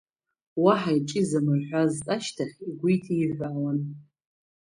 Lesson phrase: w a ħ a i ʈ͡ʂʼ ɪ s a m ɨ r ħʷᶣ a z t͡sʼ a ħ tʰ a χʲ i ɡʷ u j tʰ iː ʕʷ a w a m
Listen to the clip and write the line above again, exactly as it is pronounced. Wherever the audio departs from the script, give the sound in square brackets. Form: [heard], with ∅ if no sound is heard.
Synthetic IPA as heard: w a ħ a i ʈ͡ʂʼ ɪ [z] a m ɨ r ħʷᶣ a z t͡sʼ a [ʃ] tʰ a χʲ i ɡʷ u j tʰ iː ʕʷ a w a [n]